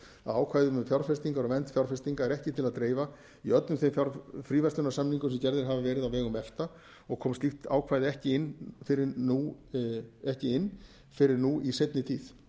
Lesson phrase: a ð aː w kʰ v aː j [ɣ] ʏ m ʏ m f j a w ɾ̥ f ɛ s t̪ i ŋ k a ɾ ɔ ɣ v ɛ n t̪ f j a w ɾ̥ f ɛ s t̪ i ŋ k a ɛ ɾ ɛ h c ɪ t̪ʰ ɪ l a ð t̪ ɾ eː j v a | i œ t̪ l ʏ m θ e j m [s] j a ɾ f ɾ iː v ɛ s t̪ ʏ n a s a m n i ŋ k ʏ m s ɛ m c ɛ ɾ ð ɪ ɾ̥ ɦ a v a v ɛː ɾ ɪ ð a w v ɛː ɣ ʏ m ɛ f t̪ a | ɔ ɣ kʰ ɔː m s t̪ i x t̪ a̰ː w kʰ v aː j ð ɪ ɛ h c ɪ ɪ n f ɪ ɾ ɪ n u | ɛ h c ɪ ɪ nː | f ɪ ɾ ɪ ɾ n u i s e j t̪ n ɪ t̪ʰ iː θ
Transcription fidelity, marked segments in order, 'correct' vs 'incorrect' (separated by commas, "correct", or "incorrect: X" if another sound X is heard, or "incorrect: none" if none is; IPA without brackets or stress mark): incorrect: ð, incorrect: f